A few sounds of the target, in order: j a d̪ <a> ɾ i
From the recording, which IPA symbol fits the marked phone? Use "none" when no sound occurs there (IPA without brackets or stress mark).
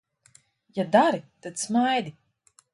a